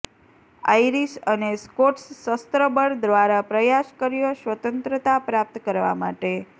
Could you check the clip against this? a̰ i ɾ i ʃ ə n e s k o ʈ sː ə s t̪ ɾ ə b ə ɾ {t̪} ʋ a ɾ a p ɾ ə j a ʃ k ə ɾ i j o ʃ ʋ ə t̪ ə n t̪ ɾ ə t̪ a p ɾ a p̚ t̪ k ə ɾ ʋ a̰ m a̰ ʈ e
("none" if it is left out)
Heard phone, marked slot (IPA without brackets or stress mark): d̪